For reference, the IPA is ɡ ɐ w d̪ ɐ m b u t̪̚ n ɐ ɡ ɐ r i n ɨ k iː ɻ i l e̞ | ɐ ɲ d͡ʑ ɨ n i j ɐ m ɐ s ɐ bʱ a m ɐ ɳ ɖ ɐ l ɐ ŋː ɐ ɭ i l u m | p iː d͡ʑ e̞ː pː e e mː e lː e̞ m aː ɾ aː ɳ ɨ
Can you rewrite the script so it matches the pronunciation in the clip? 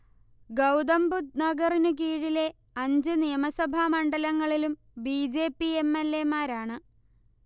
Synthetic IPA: ɡ ɐ w d̪ ɐ m b u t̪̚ n ɐ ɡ ɐ r i n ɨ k iː ɻ i l e̞ | ɐ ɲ d͡ʑ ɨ n i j ɐ m ɐ s ɐ bʱ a m ɐ ɳ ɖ ɐ l ɐ ŋː ɐ ɭ i l u m | b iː d͡ʑ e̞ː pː i e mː e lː e̞ m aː ɾ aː ɳ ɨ